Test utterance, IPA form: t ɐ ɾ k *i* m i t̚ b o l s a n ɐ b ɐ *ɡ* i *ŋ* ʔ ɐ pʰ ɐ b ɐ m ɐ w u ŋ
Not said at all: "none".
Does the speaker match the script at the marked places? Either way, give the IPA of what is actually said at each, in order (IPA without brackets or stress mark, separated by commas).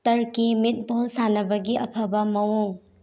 i, ɡ, none